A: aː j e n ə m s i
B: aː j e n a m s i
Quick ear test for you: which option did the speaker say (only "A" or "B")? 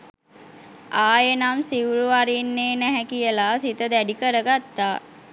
B